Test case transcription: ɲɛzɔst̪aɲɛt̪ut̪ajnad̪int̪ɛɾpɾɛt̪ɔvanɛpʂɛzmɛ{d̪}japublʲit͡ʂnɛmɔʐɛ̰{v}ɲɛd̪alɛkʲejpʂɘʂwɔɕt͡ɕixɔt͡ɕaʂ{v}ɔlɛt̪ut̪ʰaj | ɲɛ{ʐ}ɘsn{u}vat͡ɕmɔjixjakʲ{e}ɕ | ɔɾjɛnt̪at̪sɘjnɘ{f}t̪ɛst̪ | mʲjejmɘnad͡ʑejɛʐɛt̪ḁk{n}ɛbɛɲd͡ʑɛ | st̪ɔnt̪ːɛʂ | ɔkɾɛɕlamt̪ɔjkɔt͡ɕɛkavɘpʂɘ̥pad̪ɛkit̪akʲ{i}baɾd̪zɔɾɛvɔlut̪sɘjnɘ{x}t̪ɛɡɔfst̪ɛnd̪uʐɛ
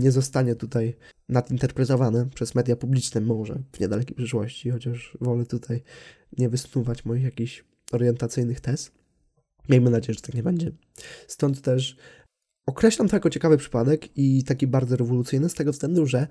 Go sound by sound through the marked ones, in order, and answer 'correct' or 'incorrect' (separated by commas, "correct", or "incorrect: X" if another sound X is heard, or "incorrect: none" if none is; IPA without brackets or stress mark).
correct, correct, correct, incorrect: v, correct, incorrect: i, incorrect: x, incorrect: ɲ, correct, incorrect: s